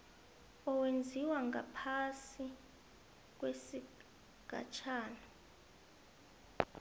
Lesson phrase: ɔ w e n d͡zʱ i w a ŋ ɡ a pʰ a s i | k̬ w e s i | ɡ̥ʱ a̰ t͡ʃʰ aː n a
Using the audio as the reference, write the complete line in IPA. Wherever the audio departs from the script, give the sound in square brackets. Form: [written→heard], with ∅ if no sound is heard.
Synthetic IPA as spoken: ɔ w e n d͡zʱ i w a ŋ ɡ a pʰ a s i | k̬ w e s i | ɡ̥ʱ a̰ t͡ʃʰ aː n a

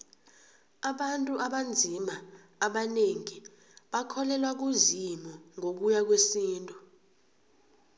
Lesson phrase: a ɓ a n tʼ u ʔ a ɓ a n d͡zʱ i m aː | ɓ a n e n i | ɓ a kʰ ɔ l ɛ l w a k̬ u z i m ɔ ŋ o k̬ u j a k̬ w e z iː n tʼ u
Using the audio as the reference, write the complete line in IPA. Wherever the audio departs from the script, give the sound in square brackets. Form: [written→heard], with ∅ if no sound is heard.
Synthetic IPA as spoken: a ɓ a n tʼ u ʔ a ɓ a n d͡zʱ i m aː | ɓ a n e [n→ŋ] i | ɓ a kʰ ɔ l ɛ l w a k̬ u z i m ɔ ŋ o k̬ u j a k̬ w e [z→s] iː n tʼ u

